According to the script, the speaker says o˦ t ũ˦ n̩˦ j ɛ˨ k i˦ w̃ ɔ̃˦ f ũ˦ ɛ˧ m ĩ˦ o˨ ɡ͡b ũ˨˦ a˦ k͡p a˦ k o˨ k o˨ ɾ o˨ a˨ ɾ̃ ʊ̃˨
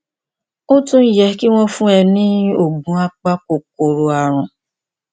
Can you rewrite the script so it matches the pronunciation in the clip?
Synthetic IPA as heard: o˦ t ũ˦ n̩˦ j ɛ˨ k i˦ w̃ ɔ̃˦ f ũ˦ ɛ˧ n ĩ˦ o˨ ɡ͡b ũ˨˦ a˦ k͡p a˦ k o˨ k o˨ ɾ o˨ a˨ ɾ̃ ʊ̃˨